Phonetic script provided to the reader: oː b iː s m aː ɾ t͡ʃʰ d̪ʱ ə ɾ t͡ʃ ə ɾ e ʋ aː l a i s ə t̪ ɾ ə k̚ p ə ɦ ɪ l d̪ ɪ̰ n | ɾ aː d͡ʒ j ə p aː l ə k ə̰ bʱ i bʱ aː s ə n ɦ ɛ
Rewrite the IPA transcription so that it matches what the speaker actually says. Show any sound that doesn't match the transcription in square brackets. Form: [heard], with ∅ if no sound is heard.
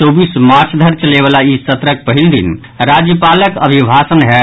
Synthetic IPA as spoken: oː b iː s m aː ɾ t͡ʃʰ d̪ʱ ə ɾ t͡ʃ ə [l] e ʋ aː l a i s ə t̪ ɾ ə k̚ p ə ɦ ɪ l d̪ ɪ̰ n | ɾ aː d͡ʒ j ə p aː l ə k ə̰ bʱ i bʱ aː s ə n ɦ ɛ